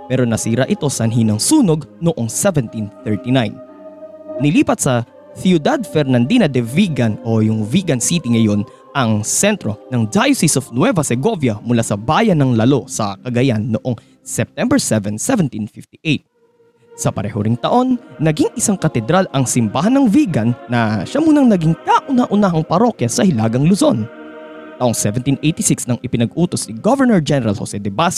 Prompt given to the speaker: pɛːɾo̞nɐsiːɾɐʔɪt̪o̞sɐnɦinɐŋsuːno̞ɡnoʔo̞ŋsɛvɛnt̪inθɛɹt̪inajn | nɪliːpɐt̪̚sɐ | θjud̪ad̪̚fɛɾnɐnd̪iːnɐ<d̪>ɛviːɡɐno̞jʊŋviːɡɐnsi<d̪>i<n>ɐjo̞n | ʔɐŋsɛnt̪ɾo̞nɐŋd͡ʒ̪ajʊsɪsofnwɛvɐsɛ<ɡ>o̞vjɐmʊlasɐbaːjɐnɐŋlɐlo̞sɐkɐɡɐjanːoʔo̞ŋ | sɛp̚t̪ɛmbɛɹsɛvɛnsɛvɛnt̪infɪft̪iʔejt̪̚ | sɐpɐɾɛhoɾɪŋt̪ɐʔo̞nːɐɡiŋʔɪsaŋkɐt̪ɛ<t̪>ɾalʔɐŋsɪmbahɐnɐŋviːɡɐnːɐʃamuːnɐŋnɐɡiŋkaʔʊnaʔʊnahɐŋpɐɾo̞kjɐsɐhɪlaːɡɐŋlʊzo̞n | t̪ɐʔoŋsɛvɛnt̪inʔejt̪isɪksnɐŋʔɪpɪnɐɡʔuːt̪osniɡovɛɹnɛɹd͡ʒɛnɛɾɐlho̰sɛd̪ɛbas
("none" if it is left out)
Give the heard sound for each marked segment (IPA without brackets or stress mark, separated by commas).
d̪, t̪, ŋ, ɡ, d̪